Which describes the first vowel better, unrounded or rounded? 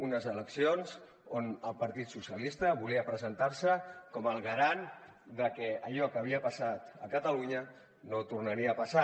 rounded